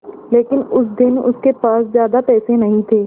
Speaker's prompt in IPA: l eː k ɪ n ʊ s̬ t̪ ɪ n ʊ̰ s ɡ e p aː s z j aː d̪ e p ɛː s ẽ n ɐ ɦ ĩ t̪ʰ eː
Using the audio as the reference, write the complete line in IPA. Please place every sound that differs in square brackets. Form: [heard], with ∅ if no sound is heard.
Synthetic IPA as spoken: l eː k ɪ n ʊ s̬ [d̪] ɪ n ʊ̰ s [k] e p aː s z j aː d̪ [a] p ɛː s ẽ n ɐ ɦ ĩ t̪ʰ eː